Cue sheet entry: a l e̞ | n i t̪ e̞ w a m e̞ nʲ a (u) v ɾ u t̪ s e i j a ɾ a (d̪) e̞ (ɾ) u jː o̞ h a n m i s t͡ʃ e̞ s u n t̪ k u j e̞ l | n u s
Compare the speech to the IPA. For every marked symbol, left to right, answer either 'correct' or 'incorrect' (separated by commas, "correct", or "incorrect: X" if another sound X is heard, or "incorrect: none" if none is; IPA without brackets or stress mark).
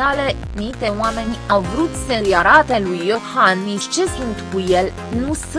incorrect: w, incorrect: t̪, incorrect: l